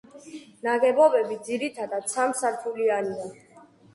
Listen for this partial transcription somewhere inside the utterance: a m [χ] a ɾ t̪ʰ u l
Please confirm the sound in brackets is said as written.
no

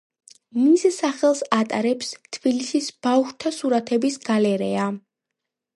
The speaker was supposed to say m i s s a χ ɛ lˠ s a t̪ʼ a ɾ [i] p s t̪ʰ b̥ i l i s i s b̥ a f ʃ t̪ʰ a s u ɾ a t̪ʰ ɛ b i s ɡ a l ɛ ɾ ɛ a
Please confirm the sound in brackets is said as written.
no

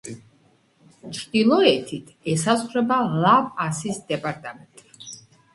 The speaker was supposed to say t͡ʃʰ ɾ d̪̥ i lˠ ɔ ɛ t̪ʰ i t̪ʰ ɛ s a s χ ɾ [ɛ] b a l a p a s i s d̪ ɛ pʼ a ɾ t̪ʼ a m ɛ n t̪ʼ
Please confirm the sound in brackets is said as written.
yes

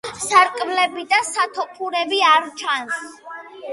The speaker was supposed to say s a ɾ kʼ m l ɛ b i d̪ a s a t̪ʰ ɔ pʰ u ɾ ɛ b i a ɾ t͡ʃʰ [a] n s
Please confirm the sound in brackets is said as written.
yes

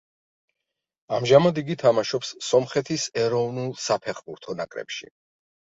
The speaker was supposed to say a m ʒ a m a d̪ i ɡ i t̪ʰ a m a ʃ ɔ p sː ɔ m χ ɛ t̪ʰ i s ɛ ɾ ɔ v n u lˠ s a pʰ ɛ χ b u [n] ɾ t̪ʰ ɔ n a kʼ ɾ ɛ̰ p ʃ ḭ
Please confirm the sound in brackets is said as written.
no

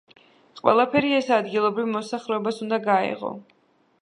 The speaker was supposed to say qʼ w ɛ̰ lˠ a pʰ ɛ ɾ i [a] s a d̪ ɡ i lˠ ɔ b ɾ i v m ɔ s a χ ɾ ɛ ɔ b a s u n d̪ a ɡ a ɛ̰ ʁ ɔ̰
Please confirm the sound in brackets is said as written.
no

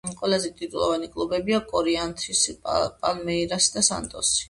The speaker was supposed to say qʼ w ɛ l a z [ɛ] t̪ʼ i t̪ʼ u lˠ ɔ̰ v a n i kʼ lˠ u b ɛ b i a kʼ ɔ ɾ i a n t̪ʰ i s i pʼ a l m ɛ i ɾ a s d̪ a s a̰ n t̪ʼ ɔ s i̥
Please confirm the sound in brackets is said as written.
yes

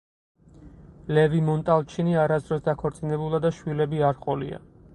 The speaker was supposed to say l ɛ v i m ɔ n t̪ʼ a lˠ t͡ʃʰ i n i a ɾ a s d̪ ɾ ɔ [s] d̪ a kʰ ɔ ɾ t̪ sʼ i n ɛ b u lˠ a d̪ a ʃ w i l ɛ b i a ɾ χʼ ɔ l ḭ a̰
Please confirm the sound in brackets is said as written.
yes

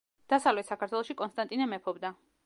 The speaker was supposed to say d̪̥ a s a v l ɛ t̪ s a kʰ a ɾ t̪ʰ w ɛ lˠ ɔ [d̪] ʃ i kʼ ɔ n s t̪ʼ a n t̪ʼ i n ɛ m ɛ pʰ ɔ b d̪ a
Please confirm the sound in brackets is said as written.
no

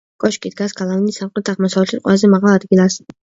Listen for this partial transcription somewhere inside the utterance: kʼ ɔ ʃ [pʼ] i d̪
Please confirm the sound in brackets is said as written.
no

